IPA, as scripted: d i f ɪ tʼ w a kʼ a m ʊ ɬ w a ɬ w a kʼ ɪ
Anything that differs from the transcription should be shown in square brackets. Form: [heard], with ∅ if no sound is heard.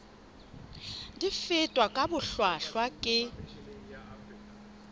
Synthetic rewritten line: d i f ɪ tʼ w a kʼ a [b] ʊ ɬ w a ɬ w a kʼ ɪ